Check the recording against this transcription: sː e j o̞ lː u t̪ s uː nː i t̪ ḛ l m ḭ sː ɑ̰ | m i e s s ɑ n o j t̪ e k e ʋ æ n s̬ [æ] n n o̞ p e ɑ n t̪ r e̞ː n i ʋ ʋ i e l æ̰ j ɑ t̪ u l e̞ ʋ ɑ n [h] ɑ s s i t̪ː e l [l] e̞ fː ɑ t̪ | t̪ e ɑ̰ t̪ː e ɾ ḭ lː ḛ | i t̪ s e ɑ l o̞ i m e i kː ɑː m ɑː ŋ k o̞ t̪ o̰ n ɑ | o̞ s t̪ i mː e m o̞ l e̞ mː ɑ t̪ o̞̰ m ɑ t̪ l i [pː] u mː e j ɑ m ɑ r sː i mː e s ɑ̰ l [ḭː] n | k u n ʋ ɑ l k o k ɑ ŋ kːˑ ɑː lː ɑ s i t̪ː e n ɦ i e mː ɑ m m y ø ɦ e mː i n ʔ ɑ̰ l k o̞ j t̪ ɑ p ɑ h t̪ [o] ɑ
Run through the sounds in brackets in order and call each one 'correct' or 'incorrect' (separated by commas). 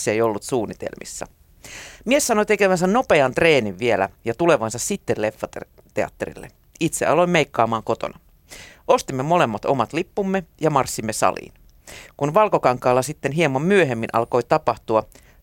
correct, incorrect, correct, correct, correct, incorrect